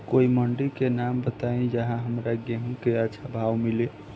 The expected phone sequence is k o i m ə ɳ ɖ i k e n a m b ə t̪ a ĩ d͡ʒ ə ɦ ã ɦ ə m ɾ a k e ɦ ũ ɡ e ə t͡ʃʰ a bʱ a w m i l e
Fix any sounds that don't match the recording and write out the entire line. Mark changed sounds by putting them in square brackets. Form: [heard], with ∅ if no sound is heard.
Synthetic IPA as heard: k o i m ə ɳ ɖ i k e n a m b ə t̪ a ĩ d͡ʒ ə ɦ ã ɦ ə m ɾ a [ɡ] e ɦ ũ [k] e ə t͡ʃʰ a bʱ a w m i l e